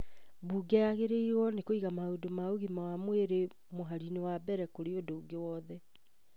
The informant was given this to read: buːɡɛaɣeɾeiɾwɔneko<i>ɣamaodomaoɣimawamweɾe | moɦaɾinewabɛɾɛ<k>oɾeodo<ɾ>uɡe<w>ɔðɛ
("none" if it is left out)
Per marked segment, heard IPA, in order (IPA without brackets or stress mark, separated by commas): i, k, none, w